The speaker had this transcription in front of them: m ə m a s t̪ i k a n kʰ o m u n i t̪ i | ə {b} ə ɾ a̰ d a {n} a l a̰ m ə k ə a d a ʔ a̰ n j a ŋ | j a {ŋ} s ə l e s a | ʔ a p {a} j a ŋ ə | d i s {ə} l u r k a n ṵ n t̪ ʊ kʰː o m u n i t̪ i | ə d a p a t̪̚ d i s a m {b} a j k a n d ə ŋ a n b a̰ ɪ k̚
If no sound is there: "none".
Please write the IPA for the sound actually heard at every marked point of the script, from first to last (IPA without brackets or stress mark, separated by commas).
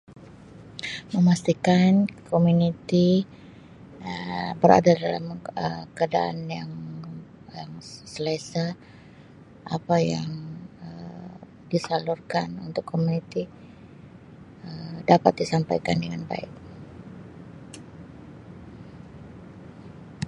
b, d, ŋ, a, a, p